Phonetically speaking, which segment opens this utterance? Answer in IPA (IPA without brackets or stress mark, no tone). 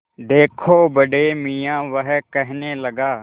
d̪